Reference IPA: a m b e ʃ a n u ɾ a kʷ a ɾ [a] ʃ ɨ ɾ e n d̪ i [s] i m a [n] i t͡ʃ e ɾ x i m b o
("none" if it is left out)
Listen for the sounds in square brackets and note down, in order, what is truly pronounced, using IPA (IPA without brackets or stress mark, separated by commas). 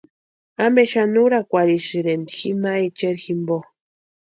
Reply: i, x, none